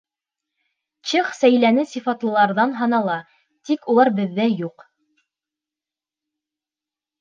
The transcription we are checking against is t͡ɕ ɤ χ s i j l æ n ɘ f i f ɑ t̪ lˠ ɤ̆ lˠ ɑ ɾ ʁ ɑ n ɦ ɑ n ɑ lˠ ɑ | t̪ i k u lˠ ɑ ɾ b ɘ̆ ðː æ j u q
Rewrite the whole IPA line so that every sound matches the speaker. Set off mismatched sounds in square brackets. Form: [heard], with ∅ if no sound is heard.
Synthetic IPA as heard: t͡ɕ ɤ χ s [æ] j l æ n ɘ [s] i f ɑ t̪ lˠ ɤ̆ lˠ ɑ ɾ [ð] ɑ n ɦ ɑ n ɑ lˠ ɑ | t̪ i k u lˠ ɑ ɾ b ɘ̆ ðː æ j u q